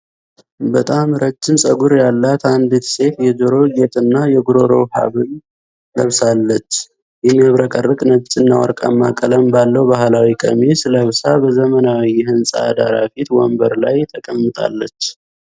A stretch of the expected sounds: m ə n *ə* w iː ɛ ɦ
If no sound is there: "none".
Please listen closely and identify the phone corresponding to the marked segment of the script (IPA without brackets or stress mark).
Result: a